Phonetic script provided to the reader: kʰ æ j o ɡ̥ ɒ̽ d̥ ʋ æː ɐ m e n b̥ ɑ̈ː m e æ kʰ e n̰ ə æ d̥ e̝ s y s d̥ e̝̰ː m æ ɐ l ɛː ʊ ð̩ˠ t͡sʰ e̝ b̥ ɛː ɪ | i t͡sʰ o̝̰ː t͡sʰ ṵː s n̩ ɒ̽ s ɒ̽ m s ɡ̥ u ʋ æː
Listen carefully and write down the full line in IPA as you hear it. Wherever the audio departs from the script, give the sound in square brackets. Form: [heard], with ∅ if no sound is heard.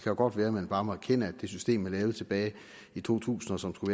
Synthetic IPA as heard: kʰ æ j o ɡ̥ ɒ̽ d̥ ʋ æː ɐ m e n b̥ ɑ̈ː m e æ kʰ e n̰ ə æ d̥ e̝ s y s d̥ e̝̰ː m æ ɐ l ɛː ʊ ð̩ˠ t͡sʰ e̝ b̥ ɛː ɪ | i t͡sʰ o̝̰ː t͡sʰ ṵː s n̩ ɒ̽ s ɒ̽ m s ɡ̥ u ʋ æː

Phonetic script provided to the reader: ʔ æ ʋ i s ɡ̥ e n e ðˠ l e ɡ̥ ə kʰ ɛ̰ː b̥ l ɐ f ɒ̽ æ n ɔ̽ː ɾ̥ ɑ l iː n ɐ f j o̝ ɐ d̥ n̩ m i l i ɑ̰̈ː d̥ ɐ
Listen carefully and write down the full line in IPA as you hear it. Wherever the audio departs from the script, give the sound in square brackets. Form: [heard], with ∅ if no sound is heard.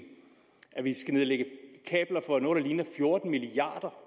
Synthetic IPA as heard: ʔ æ ʋ i s ɡ̥ [æ] n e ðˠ l e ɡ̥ ə kʰ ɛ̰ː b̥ l ɐ f ɒ̽ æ n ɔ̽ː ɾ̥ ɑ l iː n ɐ f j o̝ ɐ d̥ n̩ m i l i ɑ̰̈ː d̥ ɐ

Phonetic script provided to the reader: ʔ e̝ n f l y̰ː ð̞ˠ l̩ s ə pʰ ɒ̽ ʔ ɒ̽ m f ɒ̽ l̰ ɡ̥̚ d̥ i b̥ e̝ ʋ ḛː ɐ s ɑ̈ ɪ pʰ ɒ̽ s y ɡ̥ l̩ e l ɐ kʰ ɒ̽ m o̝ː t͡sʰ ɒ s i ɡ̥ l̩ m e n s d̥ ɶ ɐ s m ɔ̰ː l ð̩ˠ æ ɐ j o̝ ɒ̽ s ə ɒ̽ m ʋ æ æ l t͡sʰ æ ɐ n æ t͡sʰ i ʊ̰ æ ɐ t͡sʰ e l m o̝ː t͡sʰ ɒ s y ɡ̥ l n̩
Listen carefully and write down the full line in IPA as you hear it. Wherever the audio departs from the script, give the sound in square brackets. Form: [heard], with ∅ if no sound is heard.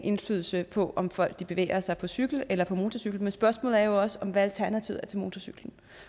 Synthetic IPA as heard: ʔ e̝ n f l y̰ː ð̞ˠ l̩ s ə pʰ ɒ̽ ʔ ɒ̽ m f ɒ̽ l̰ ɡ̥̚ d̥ i b̥ e̝ ʋ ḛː ɐ s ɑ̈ ɪ pʰ ɒ̽ s y ɡ̥ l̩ e l ɐ [pʰ] ɒ̽ m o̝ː t͡sʰ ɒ s [y] ɡ̥ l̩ m e n s [b̥] ɶ ɐ s m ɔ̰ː l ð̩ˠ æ ɐ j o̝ ɒ̽ s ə ɒ̽ m ʋ æ æ l t͡sʰ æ ɐ n æ t͡sʰ i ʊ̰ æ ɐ t͡sʰ e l m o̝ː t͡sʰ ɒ s y ɡ̥ l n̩

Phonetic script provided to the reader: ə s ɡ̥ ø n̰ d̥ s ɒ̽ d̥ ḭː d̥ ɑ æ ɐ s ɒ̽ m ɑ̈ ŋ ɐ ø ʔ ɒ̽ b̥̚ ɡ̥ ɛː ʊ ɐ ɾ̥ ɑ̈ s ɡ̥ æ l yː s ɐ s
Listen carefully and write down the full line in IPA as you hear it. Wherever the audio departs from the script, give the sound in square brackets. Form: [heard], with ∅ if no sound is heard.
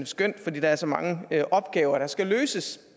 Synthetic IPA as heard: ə s ɡ̥ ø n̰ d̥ [f] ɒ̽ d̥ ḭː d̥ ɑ æ ɐ s ɒ̽ m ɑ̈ ŋ [ə] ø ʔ ɒ̽ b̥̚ ɡ̥ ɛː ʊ ɐ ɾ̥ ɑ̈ s ɡ̥ æ l [øː] s [ə] s

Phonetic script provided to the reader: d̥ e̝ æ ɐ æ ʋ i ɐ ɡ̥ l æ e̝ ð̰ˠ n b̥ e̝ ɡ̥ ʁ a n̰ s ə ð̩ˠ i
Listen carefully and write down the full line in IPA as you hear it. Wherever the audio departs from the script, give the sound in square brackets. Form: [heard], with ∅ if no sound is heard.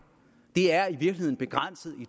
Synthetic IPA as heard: d̥ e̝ æ ɐ [i] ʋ i ɐ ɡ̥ l [i] e̝ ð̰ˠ n b̥ e̝ ɡ̥ ʁ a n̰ s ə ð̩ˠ i

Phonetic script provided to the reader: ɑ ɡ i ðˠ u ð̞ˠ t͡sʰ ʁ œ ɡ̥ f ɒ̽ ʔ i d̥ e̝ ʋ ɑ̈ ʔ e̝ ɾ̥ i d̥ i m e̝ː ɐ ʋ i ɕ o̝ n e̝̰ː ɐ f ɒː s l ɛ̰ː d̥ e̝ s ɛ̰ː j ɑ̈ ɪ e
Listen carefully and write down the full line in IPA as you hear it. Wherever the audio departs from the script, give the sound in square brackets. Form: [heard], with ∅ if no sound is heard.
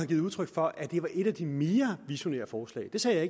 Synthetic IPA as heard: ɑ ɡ i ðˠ u ð̞ˠ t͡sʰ ʁ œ ɡ̥ f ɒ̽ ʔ [æ] d̥ e̝ ʋ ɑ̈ ʔ e̝ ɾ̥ [æ] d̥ i m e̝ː ɐ ʋ i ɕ o̝ n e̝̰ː ɐ f ɒː s l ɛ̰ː d̥ e̝ s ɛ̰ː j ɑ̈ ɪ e

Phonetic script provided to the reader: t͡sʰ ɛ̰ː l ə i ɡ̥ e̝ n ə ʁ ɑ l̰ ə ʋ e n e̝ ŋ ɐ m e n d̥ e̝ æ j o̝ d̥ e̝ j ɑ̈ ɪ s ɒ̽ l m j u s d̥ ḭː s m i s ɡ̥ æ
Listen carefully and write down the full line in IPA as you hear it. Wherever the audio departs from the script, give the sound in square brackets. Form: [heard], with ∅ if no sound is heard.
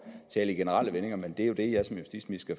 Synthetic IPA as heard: t͡sʰ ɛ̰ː l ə i ɡ̥ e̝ n ə ʁ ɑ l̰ ə ʋ e n e̝ ŋ ɐ m e n d̥ e̝ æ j o̝ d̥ e̝ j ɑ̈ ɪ s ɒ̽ [∅] m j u s d̥ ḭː s m i s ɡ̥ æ

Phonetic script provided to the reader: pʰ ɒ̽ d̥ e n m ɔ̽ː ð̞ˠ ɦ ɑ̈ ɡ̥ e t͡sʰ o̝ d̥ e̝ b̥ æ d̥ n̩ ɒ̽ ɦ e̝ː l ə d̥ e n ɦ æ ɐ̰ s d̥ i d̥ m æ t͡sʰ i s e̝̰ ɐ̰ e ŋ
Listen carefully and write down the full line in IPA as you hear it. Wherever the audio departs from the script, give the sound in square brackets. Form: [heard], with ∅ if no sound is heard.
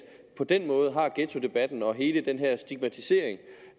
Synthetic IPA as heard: pʰ ɒ̽ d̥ e n m ɔ̽ː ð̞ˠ ɦ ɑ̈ ɡ̥ e t͡sʰ o̝ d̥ e̝ b̥ æ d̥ n̩ ɒ̽ ɦ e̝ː l ə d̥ e n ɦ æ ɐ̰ s d̥ i [ɡ̥] m æ t͡sʰ i s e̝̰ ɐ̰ e ŋ

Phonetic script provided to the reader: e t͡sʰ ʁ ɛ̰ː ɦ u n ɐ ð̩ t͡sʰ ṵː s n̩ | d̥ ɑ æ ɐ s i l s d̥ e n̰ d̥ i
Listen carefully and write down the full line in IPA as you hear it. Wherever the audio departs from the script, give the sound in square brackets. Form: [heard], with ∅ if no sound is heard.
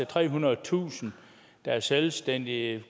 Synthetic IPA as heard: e t͡sʰ ʁ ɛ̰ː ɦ u n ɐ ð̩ t͡sʰ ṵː s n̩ | d̥ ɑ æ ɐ s [e] l s d̥ e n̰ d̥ i

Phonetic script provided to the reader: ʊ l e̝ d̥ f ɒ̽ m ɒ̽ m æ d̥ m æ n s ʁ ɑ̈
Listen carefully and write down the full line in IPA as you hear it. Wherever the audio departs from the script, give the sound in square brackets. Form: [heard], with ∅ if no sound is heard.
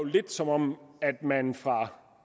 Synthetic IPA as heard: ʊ l e̝ d̥ [s] ɒ̽ m ɒ̽ m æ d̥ m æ n [f] ʁ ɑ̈

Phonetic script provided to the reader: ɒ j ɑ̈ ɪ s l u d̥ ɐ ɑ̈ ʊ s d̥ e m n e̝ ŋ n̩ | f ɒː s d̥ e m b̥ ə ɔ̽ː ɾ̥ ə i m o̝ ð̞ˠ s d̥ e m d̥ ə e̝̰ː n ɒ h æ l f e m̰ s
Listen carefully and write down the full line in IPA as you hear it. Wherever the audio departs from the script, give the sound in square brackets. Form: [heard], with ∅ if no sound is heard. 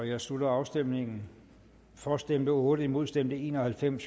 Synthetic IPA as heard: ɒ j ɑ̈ ɪ s l u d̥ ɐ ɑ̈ ʊ s d̥ e m n e̝ ŋ n̩ | f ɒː s d̥ e m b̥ ə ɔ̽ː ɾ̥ ə i m o̝ ð̞ˠ s d̥ e m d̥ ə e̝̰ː n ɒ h æ l f e m̰ s

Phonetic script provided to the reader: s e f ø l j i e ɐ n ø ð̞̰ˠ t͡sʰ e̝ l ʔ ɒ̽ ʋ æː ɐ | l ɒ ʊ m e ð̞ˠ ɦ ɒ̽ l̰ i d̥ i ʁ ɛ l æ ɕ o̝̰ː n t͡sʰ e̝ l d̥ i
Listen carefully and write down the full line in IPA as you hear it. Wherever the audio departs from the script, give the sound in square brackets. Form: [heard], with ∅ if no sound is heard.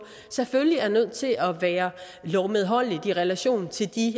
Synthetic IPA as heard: s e f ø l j i [æ] ɐ n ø ð̞̰ˠ t͡sʰ e̝ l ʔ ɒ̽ ʋ æː ɐ | l ɒ ʊ m e ð̞ˠ ɦ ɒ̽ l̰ i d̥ i ʁ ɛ l æ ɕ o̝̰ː n t͡sʰ e̝ l d̥ i

